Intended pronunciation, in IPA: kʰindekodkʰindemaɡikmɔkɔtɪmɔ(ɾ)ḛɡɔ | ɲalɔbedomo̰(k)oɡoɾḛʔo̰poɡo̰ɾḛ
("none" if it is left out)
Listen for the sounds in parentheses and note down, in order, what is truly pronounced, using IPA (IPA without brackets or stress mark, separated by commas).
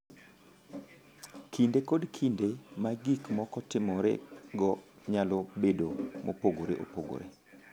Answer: ɾ, p